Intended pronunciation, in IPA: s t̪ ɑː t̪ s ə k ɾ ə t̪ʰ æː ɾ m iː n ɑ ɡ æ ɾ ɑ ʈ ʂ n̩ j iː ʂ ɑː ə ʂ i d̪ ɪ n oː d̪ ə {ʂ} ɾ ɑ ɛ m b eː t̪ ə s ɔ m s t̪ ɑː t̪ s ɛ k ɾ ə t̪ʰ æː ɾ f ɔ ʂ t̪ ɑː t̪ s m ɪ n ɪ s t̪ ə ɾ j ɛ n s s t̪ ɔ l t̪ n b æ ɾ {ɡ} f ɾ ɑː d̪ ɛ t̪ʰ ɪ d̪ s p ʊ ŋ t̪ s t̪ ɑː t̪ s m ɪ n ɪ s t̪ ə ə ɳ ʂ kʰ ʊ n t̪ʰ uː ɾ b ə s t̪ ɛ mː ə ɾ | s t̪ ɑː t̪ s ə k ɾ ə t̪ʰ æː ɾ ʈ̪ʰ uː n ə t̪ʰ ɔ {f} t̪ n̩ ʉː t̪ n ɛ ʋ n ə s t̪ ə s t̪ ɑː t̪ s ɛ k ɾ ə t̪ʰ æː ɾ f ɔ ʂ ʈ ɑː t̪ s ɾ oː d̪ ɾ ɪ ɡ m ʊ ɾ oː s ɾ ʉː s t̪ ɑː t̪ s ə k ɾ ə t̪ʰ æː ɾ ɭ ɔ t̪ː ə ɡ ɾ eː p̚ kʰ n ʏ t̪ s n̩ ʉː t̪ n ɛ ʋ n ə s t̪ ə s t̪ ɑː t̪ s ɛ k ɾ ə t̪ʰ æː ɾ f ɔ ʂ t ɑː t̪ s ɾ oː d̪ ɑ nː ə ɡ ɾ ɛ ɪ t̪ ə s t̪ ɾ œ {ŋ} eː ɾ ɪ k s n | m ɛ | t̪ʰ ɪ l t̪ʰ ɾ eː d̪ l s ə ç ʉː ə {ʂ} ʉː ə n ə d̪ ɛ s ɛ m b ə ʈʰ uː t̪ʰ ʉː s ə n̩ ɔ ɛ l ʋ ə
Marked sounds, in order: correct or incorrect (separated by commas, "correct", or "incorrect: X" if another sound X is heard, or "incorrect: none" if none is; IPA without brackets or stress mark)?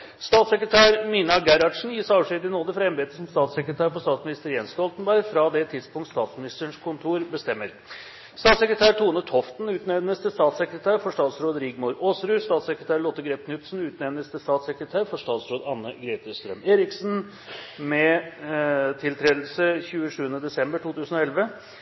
incorrect: f, correct, correct, incorrect: m, correct